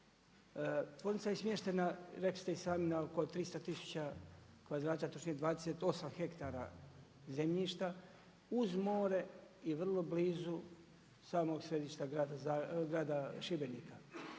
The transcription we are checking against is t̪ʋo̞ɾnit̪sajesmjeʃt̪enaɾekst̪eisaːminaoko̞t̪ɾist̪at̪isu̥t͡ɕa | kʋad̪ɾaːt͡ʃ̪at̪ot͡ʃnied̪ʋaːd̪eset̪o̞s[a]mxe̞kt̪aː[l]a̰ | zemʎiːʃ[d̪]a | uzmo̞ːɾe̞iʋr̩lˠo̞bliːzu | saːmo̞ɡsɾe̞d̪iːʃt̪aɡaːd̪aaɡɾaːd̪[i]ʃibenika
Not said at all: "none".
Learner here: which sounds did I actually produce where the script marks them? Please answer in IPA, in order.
a, ɾ, t̪, a

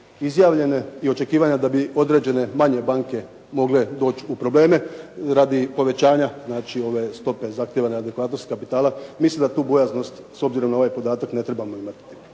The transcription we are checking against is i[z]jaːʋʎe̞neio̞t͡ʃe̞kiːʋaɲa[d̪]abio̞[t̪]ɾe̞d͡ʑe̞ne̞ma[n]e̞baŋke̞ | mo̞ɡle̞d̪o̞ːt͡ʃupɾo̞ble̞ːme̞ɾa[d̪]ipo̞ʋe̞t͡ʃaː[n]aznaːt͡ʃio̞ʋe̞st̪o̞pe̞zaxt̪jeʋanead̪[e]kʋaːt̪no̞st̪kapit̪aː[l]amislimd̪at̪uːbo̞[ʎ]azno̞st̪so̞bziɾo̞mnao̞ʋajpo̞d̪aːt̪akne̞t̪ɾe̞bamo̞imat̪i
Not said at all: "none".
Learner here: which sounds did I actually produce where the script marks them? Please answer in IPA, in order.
z, d̪, d̪, ɲ, d̪, ɲ, e, l, j

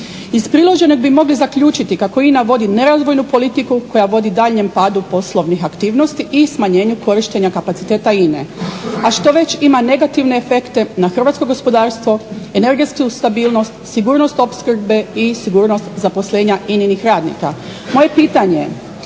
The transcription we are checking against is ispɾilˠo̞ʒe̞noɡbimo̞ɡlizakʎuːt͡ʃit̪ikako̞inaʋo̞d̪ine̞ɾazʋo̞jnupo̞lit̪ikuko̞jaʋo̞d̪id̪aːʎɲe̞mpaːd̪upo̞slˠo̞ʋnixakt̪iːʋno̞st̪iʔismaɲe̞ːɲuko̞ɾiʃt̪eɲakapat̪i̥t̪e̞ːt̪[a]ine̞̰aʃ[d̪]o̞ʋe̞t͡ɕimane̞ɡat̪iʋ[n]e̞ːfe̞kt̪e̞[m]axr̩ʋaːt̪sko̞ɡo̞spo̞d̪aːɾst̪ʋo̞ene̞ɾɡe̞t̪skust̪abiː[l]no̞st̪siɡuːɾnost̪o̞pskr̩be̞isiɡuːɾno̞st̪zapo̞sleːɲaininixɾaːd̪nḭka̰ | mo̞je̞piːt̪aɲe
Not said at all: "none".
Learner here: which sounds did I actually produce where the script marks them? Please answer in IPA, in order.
a, t̪, n, n, l

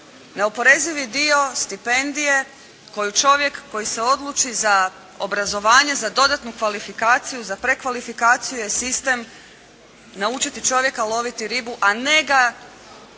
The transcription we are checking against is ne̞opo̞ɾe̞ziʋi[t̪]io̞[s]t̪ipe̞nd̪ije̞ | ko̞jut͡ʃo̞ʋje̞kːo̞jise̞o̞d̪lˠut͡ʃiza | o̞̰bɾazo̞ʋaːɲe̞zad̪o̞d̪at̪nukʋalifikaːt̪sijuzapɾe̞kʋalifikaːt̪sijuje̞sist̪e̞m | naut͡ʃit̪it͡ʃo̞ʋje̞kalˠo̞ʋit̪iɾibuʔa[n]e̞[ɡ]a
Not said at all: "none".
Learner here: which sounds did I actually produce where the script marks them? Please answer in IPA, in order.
d̪, s, n, ɡ

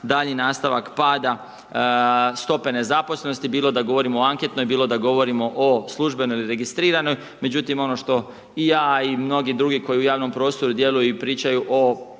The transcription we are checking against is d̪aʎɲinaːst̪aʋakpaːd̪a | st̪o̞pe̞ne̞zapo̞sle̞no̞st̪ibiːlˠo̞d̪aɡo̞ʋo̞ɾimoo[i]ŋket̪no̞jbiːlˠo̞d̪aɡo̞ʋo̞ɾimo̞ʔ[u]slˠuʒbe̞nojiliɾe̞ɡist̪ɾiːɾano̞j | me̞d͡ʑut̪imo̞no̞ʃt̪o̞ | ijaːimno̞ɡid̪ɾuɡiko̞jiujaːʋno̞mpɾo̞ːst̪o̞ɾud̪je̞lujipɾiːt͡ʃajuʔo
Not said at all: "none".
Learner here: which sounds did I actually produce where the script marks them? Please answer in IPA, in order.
a, o

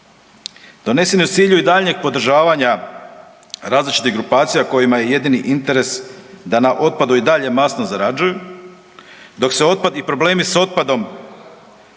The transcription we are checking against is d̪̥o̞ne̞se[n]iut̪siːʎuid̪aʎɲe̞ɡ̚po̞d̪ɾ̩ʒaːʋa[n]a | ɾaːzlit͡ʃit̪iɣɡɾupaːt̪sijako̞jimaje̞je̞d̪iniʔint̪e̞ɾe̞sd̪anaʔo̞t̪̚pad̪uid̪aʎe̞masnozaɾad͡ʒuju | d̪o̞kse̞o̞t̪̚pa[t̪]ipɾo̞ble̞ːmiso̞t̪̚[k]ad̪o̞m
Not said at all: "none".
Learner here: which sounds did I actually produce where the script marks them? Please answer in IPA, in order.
n, ɲ, d̪, p

